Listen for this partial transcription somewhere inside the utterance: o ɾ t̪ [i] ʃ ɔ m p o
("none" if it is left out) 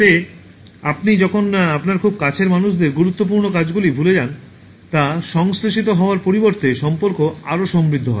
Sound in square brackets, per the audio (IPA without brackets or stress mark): e